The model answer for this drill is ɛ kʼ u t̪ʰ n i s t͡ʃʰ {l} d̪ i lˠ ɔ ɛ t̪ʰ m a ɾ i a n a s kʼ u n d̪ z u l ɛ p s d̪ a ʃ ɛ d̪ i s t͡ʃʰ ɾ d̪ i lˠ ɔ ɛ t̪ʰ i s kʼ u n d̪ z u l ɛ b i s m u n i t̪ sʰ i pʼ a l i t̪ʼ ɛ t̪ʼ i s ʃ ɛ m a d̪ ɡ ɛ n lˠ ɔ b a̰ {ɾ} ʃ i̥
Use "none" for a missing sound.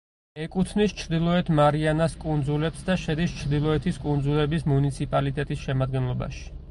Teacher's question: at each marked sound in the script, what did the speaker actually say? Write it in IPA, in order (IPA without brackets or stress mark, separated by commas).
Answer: ɾ, none